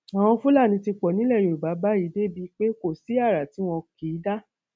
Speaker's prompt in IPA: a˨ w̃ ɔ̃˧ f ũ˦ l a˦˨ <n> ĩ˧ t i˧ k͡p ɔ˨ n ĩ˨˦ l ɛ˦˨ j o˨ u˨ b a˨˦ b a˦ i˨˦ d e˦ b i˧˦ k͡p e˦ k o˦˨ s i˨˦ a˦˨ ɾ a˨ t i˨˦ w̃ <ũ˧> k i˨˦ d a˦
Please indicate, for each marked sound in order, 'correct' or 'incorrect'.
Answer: correct, incorrect: ɔ̃˧

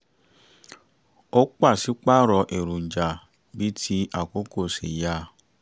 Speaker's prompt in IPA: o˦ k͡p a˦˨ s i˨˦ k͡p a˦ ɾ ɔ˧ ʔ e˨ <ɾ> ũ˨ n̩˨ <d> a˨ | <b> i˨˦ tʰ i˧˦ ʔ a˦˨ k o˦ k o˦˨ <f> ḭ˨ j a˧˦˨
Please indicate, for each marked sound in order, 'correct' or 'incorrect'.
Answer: correct, incorrect: d͡ʒ, correct, incorrect: s

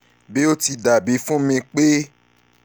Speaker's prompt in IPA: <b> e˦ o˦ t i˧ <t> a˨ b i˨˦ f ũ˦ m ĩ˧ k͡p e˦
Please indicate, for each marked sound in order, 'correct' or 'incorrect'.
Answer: correct, incorrect: d

